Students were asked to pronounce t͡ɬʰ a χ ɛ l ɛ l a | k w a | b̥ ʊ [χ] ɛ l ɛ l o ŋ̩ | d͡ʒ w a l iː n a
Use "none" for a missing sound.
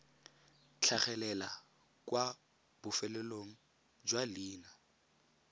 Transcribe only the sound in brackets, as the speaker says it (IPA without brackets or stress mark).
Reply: f